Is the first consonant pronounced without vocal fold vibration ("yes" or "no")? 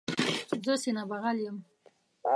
no